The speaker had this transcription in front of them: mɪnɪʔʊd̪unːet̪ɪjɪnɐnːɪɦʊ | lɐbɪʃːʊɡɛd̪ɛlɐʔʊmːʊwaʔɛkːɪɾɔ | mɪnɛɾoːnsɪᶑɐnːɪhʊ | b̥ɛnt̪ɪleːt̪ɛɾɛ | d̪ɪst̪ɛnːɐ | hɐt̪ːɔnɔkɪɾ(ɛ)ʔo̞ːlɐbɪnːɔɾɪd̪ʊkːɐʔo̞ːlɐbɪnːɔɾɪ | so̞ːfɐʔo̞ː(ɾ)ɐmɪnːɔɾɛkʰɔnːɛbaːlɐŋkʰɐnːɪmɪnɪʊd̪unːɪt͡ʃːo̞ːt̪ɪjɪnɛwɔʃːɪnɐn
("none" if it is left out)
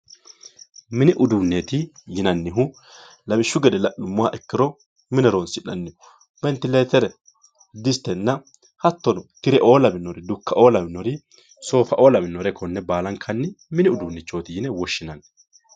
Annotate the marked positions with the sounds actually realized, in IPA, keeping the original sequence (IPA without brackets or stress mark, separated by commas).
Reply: ɛ, l